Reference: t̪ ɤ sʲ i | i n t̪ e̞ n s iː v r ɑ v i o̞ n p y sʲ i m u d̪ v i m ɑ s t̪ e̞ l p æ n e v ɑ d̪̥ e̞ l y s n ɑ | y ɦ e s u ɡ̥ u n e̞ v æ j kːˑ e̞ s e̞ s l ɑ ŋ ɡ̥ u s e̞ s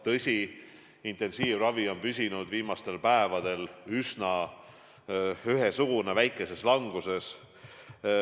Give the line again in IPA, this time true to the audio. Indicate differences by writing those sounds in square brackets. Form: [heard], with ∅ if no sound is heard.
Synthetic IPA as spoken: t̪ ɤ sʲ i | i n t̪ e̞ n s iː v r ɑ v i o̞ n p y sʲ i [n] u d̪ v [iː] m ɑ s t̪ e̞ l p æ [∅] e v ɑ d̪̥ e̞ l y s n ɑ | y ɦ e s u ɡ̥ u n e̞ v æ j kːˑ e̞ s e̞ s l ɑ ŋ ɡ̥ u s e̞ s